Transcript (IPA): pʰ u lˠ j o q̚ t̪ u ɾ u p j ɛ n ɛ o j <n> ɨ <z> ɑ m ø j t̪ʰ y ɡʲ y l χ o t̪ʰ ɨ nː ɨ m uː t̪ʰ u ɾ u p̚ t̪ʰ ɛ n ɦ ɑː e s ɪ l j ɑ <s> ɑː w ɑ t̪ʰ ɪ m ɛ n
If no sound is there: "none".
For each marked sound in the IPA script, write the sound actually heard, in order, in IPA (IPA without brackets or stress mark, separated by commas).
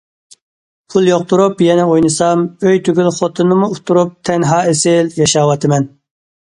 n, s, ʃ